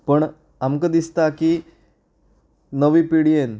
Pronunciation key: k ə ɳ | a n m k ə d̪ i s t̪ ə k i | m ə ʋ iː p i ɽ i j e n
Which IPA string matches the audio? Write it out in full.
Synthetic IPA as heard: p ə ɳ | a m k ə d̪ i s t̪ a k i | n ə ʋ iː p i ɽ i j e n